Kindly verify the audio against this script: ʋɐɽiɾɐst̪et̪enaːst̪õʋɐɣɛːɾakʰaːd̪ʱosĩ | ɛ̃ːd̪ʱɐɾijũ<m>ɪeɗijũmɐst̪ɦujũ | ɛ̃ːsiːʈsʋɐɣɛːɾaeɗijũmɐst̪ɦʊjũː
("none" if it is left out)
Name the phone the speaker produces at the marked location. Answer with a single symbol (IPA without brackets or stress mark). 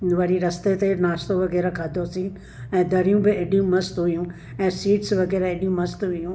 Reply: b